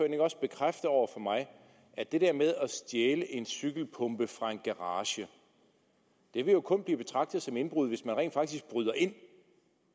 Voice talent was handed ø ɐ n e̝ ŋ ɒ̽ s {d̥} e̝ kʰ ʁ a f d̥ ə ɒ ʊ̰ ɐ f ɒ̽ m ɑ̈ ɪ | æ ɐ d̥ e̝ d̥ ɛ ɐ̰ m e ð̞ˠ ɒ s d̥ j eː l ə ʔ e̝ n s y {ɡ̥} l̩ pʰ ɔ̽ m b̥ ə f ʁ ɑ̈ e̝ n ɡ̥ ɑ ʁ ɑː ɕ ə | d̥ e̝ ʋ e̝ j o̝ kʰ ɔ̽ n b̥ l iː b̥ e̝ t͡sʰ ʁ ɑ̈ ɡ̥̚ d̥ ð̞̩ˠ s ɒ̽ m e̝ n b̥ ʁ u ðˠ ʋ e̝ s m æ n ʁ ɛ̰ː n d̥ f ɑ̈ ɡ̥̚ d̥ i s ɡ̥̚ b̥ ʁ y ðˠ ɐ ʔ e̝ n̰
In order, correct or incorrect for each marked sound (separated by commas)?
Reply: incorrect, correct